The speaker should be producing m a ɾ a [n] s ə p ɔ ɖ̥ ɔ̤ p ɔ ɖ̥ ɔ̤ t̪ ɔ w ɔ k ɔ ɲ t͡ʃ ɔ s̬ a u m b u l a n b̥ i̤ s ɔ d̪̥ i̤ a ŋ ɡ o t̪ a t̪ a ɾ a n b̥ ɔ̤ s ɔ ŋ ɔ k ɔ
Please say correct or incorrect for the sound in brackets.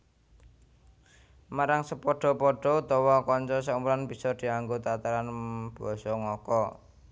incorrect